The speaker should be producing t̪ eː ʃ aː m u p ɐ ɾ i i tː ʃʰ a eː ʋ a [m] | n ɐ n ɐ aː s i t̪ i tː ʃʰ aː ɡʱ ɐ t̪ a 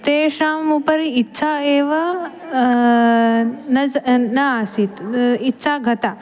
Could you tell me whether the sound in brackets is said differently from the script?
yes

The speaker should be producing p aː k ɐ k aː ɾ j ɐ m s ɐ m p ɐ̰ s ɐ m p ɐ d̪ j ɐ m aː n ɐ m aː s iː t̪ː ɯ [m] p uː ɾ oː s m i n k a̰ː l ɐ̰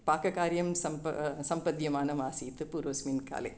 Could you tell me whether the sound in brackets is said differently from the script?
yes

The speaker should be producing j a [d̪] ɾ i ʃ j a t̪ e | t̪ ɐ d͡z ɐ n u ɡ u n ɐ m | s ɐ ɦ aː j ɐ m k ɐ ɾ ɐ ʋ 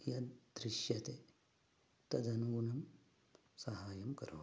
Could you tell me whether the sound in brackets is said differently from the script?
no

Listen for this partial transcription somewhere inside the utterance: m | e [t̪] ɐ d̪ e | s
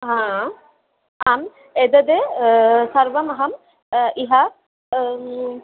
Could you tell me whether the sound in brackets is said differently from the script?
yes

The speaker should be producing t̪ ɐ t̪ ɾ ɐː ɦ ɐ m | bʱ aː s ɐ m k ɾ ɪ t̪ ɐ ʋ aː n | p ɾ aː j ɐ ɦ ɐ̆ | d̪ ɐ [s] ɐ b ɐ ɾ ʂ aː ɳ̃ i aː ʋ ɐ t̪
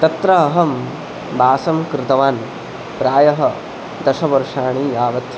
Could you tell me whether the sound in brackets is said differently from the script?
yes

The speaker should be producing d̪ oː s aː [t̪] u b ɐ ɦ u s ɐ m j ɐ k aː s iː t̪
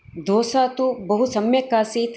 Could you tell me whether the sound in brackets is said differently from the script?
no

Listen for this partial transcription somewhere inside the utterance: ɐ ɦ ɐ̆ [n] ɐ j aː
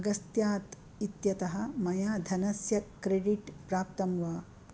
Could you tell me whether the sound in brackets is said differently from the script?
yes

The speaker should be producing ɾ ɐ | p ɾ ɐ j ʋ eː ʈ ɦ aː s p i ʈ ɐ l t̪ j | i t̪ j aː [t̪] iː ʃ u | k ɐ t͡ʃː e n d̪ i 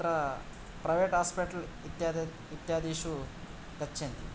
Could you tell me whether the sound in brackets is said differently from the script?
yes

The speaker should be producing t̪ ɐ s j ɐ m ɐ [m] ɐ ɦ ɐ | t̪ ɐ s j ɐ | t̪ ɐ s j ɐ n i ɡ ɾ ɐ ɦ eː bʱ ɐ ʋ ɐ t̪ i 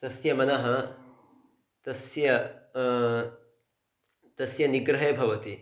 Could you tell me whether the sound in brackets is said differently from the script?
yes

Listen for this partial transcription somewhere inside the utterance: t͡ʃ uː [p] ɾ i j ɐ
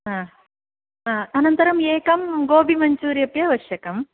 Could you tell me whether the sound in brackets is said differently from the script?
yes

